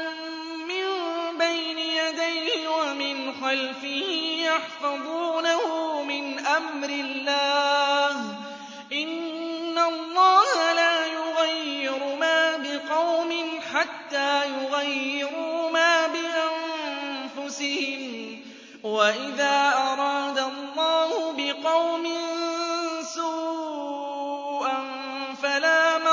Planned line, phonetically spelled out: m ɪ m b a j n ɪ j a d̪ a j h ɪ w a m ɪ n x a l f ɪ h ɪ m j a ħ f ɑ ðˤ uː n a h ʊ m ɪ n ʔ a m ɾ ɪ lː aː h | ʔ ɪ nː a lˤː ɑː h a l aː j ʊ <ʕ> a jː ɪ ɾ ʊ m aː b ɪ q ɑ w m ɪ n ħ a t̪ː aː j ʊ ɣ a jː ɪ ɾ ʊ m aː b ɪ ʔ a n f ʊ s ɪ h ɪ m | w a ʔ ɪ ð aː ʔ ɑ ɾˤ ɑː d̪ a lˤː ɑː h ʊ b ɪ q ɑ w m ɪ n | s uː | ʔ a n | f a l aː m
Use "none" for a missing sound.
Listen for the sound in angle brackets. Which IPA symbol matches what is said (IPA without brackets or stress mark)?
ɣ